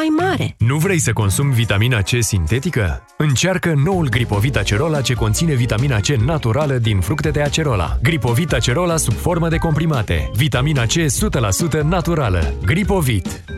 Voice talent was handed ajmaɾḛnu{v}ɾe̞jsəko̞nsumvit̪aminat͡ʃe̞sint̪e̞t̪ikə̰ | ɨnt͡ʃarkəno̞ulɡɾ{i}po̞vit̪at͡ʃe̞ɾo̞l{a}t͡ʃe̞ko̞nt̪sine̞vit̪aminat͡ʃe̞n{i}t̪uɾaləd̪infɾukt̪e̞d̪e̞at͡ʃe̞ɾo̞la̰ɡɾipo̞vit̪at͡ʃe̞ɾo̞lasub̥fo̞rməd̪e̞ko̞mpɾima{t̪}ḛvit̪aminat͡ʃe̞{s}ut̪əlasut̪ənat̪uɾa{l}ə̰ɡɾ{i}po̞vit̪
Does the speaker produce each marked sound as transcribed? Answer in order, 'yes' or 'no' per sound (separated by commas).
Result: yes, yes, yes, no, yes, yes, yes, yes